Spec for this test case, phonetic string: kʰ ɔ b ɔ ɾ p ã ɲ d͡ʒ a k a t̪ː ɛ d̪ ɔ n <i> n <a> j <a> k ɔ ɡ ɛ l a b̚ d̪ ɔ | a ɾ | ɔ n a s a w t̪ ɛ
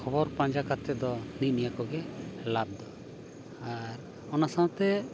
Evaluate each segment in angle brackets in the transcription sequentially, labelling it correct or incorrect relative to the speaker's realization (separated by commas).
correct, incorrect, correct